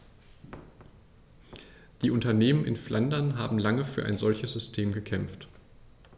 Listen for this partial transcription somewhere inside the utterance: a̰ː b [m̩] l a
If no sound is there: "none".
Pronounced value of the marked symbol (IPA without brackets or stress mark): m̩